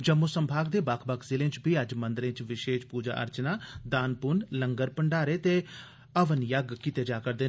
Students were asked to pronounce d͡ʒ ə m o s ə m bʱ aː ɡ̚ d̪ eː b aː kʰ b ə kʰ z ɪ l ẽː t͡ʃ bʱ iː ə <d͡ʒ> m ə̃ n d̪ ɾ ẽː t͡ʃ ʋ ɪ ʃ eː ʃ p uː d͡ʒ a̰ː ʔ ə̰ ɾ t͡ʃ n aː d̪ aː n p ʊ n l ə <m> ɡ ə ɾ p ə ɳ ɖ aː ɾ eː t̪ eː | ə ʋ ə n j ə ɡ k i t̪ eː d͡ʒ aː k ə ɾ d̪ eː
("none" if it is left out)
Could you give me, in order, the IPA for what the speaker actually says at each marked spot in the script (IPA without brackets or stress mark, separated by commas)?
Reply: d͡ʒ, ŋ